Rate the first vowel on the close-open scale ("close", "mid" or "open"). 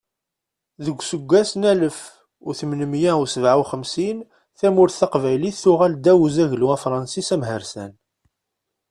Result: mid